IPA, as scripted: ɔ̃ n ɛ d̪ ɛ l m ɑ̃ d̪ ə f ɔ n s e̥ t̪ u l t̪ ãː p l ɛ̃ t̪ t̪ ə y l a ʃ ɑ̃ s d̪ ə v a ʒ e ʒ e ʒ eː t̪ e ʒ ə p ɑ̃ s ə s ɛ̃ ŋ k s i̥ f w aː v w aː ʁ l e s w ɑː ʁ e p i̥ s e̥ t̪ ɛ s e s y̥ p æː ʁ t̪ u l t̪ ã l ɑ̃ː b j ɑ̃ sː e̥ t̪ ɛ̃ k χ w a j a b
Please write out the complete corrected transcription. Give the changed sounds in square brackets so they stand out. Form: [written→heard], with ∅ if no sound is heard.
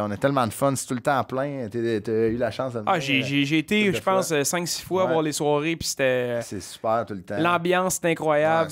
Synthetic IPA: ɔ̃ n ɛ [d̪→t̪] ɛ l m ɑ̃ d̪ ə f ɔ n s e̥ t̪ u l t̪ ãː p l ɛ̃ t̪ t̪ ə y l a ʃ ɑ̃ s d̪ ə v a ʒ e ʒ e ʒ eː t̪ e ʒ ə p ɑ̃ s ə s ɛ̃ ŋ k s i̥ f w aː v w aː ʁ l e s w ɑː ʁ e p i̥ s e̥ t̪ ɛ s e s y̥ p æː ʁ t̪ u l t̪ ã l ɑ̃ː b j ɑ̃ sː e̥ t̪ ɛ̃ k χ w a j a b